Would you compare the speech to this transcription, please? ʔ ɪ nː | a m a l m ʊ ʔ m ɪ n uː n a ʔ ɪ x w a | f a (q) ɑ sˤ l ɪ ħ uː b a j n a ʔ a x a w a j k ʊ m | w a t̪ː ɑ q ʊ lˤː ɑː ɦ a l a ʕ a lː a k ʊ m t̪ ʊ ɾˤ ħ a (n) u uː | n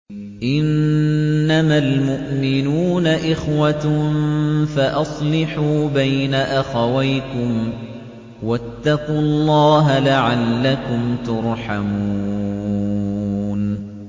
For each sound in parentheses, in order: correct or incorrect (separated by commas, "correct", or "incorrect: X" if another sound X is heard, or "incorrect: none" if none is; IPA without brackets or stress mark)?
incorrect: ʔ, incorrect: m